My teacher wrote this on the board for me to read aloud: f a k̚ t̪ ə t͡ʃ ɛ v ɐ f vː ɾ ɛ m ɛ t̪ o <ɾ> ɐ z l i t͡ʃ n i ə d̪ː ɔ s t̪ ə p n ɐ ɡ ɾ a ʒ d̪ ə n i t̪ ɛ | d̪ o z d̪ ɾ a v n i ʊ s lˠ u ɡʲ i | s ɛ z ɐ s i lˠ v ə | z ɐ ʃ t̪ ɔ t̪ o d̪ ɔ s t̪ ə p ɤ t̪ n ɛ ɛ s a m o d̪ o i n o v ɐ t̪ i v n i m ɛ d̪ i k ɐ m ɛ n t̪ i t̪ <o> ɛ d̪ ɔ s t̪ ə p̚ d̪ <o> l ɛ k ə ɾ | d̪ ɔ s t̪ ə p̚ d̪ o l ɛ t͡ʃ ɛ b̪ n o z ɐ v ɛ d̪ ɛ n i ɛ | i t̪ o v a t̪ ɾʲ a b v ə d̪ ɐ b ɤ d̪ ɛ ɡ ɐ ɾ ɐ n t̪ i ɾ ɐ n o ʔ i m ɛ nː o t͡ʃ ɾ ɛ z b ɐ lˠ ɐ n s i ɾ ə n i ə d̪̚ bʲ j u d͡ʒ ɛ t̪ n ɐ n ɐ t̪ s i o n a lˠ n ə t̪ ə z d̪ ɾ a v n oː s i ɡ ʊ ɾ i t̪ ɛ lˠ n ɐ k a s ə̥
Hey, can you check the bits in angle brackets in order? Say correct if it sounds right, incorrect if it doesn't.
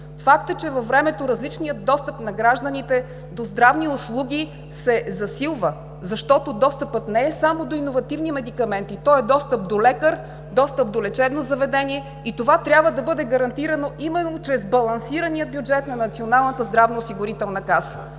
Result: correct, incorrect: ɔ, correct

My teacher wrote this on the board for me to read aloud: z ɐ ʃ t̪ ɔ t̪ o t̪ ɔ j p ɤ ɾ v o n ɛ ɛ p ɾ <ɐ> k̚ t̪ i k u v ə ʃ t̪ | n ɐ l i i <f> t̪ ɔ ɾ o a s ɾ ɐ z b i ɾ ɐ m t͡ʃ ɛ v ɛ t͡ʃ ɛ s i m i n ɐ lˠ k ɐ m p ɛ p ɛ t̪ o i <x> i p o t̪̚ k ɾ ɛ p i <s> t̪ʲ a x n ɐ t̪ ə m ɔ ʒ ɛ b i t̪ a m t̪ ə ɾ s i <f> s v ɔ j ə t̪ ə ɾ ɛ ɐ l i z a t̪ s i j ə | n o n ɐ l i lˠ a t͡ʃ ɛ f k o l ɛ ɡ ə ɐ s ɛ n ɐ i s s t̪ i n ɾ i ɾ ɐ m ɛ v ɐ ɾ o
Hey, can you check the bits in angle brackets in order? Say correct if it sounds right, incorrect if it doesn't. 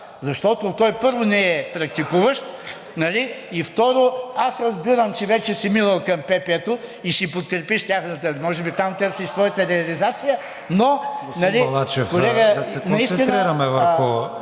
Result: correct, correct, incorrect: ʃ, incorrect: ʃ, incorrect: ʃ

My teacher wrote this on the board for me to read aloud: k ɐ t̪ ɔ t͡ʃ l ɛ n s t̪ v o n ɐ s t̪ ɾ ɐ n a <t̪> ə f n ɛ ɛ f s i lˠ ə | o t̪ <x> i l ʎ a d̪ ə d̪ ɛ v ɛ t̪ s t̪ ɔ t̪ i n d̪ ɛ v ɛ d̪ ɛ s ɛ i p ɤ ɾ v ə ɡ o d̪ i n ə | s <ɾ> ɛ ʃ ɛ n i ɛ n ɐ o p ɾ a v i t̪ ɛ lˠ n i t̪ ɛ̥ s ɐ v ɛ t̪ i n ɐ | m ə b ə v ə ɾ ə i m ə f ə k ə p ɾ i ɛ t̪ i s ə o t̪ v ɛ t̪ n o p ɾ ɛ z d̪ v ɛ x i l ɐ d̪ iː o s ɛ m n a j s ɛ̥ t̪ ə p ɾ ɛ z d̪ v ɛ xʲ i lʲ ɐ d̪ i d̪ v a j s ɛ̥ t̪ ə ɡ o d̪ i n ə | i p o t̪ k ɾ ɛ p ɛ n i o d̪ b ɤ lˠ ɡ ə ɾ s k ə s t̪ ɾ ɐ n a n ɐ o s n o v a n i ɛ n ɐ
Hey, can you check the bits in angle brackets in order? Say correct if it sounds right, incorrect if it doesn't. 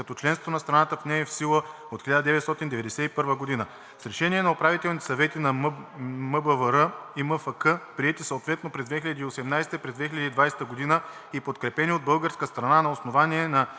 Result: correct, correct, correct

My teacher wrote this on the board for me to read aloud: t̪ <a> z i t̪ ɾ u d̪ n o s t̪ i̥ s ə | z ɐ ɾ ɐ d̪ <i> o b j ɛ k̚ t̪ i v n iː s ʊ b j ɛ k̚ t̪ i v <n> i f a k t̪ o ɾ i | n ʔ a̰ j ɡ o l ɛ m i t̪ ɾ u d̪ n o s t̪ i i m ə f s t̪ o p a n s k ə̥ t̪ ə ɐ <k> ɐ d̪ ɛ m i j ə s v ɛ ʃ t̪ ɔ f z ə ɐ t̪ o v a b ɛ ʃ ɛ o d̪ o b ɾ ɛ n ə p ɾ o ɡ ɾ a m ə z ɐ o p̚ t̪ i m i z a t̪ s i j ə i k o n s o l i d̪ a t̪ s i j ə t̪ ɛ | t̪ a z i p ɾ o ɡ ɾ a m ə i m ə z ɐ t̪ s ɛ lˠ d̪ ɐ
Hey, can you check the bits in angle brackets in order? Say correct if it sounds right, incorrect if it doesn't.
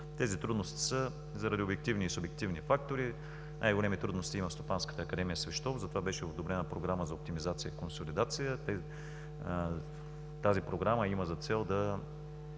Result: incorrect: ɛ, correct, correct, correct

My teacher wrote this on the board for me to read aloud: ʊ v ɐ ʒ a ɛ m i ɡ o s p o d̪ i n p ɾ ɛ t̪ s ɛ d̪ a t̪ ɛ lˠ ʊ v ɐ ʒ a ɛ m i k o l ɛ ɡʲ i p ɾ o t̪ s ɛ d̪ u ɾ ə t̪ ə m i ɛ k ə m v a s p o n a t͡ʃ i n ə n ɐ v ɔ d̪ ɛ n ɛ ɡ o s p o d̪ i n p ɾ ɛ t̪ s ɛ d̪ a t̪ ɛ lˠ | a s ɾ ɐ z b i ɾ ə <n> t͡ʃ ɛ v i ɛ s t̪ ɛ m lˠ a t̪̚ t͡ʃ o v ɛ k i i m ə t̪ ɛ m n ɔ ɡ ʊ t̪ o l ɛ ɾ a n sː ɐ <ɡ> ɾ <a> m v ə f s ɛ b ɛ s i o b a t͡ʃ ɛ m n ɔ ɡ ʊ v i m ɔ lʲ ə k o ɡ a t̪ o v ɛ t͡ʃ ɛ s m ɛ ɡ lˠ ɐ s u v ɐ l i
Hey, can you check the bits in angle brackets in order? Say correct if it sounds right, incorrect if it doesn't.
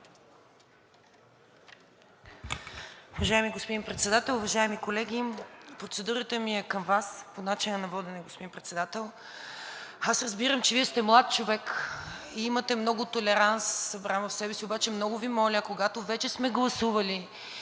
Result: incorrect: m, incorrect: b, correct

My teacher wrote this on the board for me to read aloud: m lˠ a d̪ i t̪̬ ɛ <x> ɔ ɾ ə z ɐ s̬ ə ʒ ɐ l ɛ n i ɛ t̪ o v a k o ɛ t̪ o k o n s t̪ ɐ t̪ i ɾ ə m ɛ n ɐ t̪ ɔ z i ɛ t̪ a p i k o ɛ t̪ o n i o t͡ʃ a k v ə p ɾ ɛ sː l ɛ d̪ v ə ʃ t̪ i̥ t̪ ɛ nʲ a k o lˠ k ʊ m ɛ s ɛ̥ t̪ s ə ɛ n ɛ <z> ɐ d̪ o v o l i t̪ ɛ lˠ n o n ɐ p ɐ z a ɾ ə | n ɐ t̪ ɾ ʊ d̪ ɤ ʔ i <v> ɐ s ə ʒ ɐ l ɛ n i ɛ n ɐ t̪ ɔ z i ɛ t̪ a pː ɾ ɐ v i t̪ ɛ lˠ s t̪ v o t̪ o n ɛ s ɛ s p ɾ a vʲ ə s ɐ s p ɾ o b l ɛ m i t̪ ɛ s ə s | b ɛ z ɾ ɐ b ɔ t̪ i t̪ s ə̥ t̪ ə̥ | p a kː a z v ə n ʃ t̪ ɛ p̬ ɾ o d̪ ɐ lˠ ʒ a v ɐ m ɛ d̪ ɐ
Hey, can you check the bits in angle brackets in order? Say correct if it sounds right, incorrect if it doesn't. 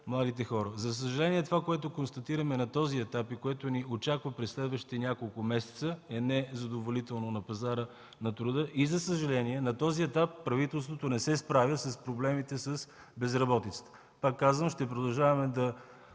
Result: correct, correct, incorrect: z

